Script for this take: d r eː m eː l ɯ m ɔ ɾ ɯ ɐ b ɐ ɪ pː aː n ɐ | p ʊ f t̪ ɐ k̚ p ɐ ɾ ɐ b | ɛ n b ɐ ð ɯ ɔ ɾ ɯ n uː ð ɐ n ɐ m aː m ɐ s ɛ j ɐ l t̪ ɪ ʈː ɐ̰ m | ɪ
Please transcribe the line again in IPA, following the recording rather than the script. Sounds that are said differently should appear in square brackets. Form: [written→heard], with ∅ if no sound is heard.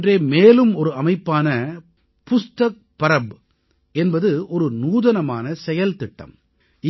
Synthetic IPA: d r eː m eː l ɯ m ɔ ɾ ɯ ɐ [b→m] ɐ ɪ pː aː n ɐ | p ʊ [f→s] t̪ ɐ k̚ p ɐ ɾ ɐ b | ɛ n b ɐ ð ɯ ɔ ɾ ɯ n uː ð ɐ n ɐ m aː [m→n] ɐ s ɛ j ɐ l t̪ ɪ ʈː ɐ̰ m | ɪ